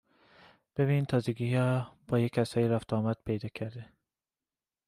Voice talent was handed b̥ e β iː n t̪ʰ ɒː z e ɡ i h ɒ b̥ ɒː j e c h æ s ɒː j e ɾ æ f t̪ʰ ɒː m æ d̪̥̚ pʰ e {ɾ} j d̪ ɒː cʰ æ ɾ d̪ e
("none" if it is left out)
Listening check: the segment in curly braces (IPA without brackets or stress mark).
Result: none